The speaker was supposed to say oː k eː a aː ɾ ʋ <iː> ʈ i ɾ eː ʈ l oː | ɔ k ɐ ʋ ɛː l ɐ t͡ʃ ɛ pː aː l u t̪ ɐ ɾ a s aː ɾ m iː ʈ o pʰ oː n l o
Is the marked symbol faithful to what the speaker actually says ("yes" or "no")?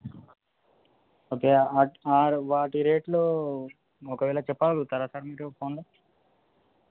no